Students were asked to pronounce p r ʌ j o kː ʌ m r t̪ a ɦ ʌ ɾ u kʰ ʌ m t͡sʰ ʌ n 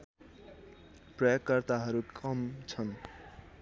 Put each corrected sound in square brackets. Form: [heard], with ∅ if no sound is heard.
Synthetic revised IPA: p r ʌ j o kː ʌ [∅] r t̪ a ɦ ʌ ɾ u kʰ ʌ m t͡sʰ ʌ n